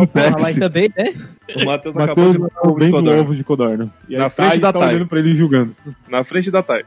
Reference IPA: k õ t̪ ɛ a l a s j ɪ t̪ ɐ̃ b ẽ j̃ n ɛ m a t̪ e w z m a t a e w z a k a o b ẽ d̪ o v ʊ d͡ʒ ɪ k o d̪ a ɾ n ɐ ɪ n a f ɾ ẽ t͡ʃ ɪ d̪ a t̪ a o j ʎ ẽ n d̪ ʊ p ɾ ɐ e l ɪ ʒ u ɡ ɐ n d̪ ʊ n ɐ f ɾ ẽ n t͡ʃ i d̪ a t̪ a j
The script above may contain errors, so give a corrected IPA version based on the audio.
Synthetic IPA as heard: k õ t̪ ɛ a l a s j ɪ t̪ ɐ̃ b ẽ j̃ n ɛ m a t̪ e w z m a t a e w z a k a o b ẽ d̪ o v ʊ d͡ʒ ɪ k o d̪ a ɾ n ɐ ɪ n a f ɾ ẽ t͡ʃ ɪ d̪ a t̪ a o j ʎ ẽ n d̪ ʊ p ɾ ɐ e l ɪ ʒ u ɡ ɐ̃ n d̪ ʊ n ɐ f ɾ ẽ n t͡ʃ ɪ d̪ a t̪ a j